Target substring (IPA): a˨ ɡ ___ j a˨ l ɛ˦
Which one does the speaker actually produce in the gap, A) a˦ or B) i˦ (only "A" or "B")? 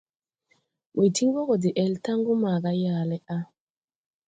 A